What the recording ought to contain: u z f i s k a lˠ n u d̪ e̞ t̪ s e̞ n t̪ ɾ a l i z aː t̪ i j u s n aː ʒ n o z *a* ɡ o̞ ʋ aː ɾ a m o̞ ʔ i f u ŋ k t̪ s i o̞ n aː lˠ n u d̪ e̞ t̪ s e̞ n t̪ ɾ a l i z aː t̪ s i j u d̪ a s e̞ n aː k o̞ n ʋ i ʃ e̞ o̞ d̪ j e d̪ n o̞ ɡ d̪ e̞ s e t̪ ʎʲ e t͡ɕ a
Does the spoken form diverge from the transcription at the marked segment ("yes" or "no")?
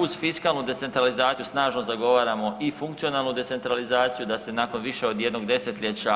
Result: no